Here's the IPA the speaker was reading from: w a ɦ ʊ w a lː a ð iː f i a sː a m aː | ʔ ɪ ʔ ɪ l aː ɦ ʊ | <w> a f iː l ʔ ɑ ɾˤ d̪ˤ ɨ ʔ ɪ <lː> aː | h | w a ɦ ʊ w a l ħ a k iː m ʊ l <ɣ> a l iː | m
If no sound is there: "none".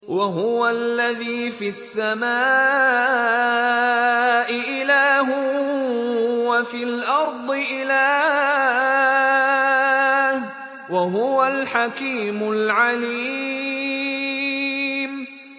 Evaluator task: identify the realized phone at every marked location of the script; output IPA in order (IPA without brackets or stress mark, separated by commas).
w, l, ʕ